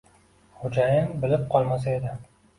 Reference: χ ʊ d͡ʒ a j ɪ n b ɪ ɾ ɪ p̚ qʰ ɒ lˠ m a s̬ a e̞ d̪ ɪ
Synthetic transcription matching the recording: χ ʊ d͡ʒ a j ɪ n b ɪ l ɪ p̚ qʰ ɒ lˠ m a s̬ a e̞ d̪ ɪ

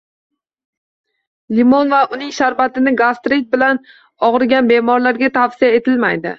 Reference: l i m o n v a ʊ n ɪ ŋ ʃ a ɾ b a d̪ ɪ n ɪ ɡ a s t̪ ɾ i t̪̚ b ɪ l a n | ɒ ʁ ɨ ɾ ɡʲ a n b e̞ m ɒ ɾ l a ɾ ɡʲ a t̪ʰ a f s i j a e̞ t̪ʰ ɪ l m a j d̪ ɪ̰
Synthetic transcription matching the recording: l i m o n v a ʊ n ɪ ŋ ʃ a ɾ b a t̪ ɪ n ɪ ɡ a s t̪ ɾ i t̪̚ b ɪ l a n | ɒ ʁ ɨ ɾ ɡʲ a n b e̞ m ɒ ɾ l a ɾ ɡʲ a t̪ʰ a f s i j a e̞ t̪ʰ ɪ l m a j d̪ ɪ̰

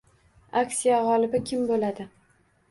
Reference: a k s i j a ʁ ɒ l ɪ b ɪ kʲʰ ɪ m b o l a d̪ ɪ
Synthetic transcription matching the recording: a k s i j a ʁ ɒ l ɪ b ɪ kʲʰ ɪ m b o l a d̪ ɪ

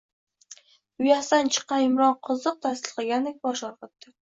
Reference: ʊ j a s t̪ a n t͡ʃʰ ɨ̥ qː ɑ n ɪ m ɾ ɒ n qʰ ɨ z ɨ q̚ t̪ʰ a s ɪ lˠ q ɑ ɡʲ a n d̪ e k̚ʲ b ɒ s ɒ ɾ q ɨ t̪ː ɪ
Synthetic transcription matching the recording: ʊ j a s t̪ a n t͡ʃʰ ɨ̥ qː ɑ n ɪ m ɾ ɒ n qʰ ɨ z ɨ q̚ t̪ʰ a s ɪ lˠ q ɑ ɡʲ a n d̪ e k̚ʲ b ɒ ʃ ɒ ɾ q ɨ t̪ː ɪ

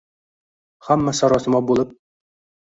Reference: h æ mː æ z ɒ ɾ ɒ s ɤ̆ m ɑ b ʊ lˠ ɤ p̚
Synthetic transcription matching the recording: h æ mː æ s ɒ ɾ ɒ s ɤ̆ m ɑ b u lˠ ɤ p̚

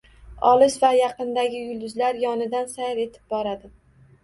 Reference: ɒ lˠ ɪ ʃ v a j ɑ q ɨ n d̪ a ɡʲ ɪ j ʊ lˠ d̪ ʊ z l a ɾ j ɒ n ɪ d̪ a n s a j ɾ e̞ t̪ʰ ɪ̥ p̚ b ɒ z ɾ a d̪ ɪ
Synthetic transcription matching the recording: ɒ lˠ ɪ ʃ v a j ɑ q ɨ n d̪ a ɡʲ ɪ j ʊ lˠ d̪ ʊ z l a ɾ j ɒ n ɪ d̪ a n s a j ɾ e̞ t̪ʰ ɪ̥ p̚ b ɒ ɾ a d̪ ɪ

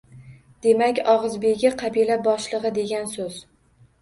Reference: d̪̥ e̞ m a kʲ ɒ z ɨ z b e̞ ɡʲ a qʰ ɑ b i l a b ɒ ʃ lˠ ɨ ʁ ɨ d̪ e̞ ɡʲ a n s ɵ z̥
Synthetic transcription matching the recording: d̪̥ e̞ m a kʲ ɒ ʁ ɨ z b e̞ ɡʲ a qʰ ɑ b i l a b ɒ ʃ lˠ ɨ ʁ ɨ d̪ e̞ ɡʲ a n s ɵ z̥

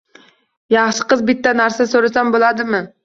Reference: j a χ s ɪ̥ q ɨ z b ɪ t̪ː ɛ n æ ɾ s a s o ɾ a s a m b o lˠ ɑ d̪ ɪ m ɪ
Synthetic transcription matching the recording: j ɑ χ ʃ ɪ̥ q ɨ z b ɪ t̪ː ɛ n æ ɾ s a s o ɾ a s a m b o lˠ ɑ d̪ ɪ m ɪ

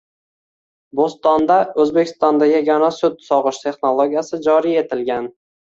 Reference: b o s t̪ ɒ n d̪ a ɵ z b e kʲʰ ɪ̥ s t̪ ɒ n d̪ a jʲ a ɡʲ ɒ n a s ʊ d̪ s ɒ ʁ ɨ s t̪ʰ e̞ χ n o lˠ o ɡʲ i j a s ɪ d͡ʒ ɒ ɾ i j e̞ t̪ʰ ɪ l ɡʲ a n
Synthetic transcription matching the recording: b o s t̪ ɒ n d̪ a ɵ z b e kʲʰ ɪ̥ s t̪ ɒ n d̪ a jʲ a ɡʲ ɒ n a s ʊ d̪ s ɒ ʁ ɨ ʃ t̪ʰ e̞ χ n o lˠ o ɡʲ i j a s ɪ d͡ʒ ɒ ɾ i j e̞ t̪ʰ ɪ l ɡʲ a n

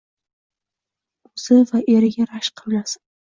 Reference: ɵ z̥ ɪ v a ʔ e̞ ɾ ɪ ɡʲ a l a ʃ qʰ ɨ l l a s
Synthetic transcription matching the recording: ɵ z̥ ɪ v a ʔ e̞ ɾ ɪ ɡʲ a ɾ a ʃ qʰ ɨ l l a s

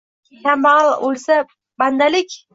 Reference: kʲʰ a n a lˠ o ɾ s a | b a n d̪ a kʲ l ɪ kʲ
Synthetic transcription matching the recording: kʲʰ a m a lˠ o l s a | b a n d̪ a l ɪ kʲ

